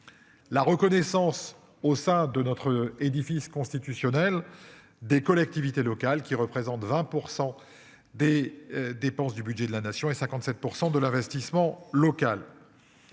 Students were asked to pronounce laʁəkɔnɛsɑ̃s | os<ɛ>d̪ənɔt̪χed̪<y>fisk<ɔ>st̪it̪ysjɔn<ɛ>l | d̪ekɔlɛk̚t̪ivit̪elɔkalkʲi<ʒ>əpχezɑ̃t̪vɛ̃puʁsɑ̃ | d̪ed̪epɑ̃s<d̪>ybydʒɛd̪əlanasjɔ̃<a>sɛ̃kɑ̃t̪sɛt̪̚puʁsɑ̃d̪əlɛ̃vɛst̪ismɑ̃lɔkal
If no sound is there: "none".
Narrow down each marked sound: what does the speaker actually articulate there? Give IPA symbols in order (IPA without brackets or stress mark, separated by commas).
ɛ̃, i, ɔ̃, ɛ, ʁ, d̪, e